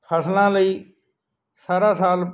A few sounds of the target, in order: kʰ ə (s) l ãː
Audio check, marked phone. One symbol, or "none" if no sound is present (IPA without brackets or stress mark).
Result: s